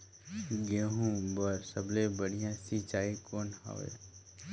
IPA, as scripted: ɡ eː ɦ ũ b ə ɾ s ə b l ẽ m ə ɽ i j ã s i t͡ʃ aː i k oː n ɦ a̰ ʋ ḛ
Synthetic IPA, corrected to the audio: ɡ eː ɦ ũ b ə ɾ s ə b l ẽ b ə ɽ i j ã s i t͡ʃ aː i k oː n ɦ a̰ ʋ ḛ